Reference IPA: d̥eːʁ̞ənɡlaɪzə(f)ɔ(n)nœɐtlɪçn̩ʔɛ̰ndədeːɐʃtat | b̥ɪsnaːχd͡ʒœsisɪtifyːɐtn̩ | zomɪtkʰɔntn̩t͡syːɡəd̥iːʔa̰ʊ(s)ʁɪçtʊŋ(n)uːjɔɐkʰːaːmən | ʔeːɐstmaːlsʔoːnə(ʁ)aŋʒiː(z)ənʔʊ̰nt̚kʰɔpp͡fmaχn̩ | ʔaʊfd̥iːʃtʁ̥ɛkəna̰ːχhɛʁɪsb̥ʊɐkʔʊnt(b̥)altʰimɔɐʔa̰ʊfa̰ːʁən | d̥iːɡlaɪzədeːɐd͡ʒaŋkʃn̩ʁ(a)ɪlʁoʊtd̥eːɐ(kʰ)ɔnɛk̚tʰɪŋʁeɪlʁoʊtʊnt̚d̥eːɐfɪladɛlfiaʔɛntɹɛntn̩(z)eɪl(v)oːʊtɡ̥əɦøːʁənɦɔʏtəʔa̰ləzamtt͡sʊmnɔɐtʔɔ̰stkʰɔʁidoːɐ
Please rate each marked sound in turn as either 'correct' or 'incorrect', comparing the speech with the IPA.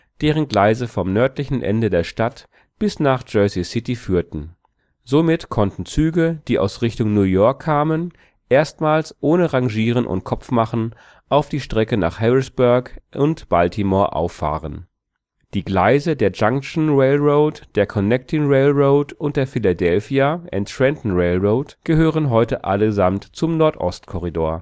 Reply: correct, incorrect: m, correct, correct, correct, incorrect: ʁ, correct, incorrect: e, correct, incorrect: ʁ, incorrect: ʁ

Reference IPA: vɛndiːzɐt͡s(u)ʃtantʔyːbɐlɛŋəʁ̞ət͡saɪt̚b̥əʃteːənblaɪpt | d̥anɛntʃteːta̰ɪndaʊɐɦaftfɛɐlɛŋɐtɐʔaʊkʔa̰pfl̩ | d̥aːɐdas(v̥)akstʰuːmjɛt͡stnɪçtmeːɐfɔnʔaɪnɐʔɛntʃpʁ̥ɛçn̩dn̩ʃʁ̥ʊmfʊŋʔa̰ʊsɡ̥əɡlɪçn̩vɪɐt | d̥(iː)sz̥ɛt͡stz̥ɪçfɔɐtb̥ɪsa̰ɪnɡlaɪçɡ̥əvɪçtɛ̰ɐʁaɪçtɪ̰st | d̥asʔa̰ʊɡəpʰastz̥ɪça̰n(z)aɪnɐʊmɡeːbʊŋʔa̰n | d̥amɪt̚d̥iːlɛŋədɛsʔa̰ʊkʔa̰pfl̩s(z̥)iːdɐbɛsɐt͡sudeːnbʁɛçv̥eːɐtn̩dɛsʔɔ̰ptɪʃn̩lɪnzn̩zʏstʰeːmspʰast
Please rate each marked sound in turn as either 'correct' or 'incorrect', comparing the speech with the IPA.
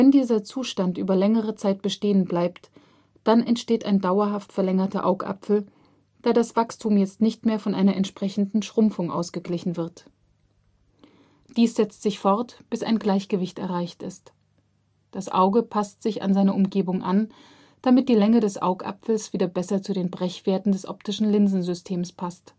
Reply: incorrect: uː, correct, correct, correct, incorrect: v̥

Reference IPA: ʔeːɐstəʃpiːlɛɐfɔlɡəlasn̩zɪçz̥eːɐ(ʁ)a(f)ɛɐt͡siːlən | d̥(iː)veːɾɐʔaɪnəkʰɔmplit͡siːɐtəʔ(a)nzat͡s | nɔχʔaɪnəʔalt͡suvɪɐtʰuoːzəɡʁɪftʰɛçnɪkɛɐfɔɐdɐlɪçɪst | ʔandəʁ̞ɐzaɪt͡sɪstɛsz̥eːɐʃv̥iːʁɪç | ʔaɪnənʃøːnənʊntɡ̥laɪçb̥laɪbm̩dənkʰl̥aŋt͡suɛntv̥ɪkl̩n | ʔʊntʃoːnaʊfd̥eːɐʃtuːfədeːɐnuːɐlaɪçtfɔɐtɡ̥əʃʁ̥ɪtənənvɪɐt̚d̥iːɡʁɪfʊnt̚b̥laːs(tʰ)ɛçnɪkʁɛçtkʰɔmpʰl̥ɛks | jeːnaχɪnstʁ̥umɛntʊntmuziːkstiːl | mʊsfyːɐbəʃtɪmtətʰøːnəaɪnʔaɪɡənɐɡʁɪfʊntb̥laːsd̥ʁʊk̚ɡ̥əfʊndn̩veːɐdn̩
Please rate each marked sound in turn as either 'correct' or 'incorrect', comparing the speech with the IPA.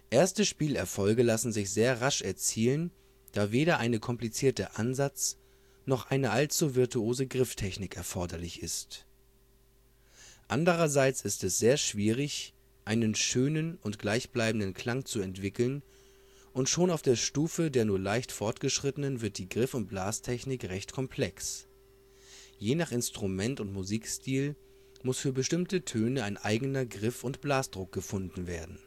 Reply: correct, incorrect: ʃ, incorrect: aː, correct, correct

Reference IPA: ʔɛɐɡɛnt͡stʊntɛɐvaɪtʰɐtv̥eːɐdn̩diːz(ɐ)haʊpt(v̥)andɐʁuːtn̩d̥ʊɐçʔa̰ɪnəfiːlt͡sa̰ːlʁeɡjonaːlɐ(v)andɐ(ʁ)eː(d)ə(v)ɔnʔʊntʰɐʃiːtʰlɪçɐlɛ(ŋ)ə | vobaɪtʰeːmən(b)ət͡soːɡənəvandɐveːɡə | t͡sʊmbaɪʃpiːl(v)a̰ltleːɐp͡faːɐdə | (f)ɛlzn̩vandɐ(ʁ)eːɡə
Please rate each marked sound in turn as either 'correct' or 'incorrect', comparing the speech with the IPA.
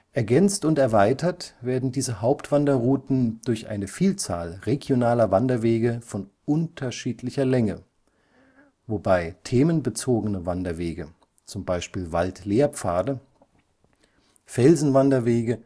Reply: incorrect: ə, correct, correct, incorrect: v, incorrect: ɡ, incorrect: f, correct, correct, correct, correct, incorrect: v

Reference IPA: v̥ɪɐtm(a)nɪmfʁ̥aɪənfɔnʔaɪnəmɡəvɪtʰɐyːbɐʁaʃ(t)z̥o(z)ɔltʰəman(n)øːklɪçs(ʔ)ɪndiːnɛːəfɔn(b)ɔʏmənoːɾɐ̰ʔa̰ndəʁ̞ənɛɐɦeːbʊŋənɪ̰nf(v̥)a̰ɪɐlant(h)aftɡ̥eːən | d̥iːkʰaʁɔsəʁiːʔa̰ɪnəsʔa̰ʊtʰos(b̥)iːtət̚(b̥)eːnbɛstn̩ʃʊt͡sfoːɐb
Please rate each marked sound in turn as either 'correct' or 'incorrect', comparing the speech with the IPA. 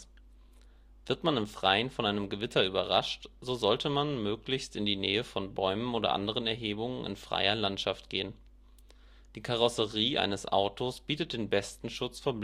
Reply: correct, correct, correct, incorrect: m, incorrect: t, correct, incorrect: ʁ̥, incorrect: ʃ, correct, incorrect: d̥

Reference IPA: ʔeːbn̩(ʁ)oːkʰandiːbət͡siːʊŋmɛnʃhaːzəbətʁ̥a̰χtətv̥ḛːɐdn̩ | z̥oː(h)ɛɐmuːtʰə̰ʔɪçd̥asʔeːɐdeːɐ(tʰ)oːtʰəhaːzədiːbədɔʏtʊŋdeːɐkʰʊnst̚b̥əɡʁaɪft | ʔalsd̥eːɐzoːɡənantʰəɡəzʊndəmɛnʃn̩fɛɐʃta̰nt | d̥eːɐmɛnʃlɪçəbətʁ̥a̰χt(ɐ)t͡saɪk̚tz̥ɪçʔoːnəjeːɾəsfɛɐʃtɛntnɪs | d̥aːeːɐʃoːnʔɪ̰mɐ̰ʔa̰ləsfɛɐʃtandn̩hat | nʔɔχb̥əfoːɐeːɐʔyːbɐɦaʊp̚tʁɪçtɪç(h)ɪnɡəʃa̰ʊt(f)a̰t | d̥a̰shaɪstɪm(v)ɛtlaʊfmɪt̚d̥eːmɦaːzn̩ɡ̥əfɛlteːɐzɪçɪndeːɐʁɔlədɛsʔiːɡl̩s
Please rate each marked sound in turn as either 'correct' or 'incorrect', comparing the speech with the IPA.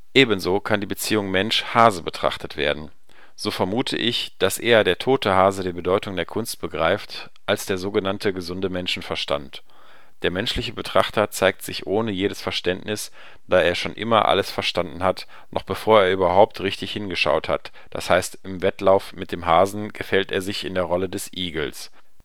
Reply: incorrect: z, incorrect: f, correct, correct, correct, incorrect: h, correct

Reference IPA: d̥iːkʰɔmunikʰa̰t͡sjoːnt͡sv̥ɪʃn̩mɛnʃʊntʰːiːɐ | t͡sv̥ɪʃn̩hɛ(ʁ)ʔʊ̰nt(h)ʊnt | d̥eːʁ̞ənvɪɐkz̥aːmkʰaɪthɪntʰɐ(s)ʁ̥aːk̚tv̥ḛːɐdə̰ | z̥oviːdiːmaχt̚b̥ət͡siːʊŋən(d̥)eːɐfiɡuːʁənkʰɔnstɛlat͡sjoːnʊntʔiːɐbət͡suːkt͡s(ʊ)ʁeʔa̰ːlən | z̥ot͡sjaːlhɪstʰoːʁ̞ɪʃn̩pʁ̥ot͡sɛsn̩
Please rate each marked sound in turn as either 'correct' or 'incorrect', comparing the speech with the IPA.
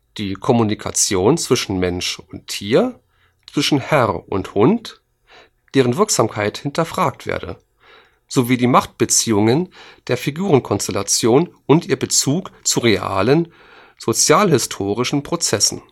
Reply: correct, correct, incorrect: f, correct, incorrect: u

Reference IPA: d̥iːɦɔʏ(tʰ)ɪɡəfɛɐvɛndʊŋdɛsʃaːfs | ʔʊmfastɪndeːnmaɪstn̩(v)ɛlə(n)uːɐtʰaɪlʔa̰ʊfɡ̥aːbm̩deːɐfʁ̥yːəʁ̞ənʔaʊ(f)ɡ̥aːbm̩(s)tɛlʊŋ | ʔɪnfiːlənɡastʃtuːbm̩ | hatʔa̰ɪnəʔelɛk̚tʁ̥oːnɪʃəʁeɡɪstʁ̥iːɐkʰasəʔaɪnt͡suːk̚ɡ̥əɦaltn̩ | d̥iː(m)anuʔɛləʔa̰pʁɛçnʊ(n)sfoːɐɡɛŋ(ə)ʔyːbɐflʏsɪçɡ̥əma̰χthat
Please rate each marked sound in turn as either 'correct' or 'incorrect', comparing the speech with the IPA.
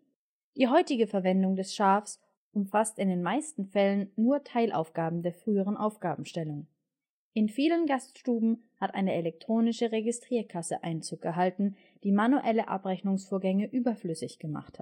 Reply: incorrect: t, incorrect: f, incorrect: nː, correct, incorrect: ʃ, correct, incorrect: ŋ, correct

